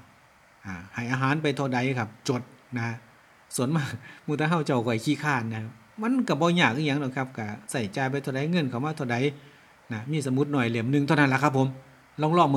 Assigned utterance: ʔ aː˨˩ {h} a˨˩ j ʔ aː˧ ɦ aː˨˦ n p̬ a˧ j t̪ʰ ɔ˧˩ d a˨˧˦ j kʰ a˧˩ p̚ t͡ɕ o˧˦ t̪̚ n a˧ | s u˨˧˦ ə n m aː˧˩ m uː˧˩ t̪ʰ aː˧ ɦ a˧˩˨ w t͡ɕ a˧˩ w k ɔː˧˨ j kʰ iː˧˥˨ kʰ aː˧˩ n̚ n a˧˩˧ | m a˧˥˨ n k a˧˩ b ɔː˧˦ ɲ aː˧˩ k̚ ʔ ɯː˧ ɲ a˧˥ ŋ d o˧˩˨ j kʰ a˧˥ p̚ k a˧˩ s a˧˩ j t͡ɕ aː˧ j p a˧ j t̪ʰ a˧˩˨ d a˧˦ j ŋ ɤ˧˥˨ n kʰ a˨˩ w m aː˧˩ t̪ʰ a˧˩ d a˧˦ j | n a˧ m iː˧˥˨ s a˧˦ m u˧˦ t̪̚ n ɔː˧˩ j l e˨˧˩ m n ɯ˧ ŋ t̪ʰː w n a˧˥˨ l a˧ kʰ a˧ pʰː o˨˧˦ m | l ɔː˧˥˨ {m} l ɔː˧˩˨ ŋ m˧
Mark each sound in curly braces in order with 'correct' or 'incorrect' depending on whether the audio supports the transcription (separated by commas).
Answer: correct, incorrect